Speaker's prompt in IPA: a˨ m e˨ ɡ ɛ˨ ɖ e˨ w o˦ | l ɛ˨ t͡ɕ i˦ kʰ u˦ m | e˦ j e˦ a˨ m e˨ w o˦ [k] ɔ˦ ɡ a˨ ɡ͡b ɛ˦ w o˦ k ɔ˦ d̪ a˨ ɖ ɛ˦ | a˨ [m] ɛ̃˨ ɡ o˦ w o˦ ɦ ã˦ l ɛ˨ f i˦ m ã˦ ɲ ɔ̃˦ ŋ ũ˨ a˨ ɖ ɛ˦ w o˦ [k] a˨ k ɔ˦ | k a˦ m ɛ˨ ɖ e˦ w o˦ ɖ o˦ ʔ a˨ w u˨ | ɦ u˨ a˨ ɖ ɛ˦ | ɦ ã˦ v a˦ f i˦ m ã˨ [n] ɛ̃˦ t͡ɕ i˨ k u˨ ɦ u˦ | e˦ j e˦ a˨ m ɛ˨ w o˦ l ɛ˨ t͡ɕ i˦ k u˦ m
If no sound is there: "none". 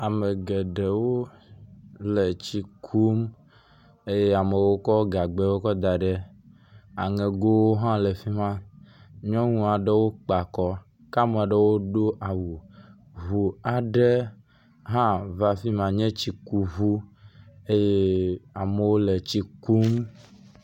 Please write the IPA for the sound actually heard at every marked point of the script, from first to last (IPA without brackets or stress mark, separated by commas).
k, ŋ, k͡p, ɲ